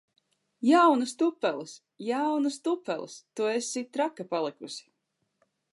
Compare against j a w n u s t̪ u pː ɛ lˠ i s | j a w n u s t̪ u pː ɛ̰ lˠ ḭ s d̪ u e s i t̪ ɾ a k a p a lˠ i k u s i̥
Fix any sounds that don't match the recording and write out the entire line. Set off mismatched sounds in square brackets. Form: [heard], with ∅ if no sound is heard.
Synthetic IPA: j a w n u s t̪ u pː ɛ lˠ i s | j a w n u s t̪ u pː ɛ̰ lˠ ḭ s [t̪] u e s i t̪ ɾ a k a p a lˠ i k u s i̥